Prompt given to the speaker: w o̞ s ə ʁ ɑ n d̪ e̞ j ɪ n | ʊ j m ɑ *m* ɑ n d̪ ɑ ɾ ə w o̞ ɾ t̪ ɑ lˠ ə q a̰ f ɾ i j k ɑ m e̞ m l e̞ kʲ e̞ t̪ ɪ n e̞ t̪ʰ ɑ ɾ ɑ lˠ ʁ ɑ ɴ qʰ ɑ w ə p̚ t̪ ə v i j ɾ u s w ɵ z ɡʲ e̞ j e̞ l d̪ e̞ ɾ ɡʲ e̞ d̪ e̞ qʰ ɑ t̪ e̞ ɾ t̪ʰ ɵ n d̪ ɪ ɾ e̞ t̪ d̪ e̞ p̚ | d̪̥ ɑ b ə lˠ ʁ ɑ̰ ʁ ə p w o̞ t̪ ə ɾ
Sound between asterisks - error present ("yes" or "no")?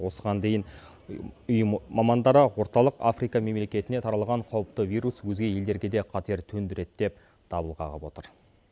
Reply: no